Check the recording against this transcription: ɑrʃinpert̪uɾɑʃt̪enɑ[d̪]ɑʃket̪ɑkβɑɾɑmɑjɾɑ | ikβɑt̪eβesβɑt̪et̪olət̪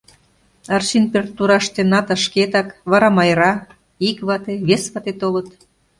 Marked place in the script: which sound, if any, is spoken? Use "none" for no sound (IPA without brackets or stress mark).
t̪